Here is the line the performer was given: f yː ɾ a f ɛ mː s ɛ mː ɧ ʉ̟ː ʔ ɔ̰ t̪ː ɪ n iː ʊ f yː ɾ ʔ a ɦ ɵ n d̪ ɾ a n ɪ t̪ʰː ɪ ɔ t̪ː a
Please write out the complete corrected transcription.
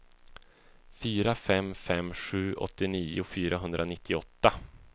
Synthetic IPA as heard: f yː ɾ a f ɛ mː f ɛ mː ɧ ʉ̟ː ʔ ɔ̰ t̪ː ɪ n iː ʊ f yː ɾ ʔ a ɦ ɵ n d̪ ɾ a n ɪ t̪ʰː ɪ ɔ t̪ː a